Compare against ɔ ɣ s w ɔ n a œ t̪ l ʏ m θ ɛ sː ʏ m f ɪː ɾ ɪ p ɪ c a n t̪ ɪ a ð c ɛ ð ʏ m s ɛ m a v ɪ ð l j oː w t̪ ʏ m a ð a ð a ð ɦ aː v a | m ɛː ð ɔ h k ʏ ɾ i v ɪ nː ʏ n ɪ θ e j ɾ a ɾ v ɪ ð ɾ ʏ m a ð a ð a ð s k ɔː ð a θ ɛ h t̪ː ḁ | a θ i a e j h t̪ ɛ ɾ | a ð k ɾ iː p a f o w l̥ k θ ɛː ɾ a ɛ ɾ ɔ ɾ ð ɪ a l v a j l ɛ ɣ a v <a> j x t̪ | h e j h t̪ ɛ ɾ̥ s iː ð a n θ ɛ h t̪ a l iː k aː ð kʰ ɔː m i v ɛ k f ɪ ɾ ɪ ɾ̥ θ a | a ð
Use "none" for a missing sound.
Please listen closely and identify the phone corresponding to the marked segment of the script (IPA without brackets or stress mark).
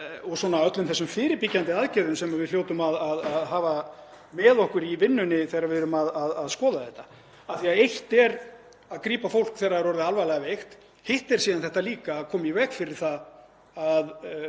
e